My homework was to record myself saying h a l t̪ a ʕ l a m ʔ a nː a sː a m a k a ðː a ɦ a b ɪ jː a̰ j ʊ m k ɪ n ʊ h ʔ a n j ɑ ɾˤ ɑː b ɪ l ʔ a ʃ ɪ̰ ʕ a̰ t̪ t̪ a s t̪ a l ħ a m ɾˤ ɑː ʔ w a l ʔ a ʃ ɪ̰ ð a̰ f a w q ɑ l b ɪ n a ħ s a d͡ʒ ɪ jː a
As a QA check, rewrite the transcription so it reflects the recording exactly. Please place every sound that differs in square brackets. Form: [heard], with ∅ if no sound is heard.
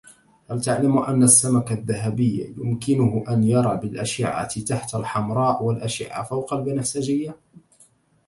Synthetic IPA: h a l t̪ a ʕ l a m ʔ a nː a sː a m a k a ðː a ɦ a b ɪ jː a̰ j ʊ m k ɪ n ʊ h ʔ a n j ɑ ɾˤ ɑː b ɪ l ʔ a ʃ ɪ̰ ʕ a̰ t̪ t̪ a [ħ] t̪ a l ħ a m ɾˤ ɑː ʔ w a l ʔ a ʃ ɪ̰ [ʕ] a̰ f a w q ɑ l b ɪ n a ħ s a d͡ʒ ɪ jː a